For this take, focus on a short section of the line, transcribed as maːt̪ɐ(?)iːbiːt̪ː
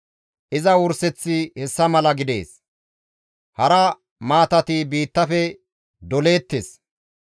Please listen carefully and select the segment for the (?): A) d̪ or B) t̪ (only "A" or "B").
B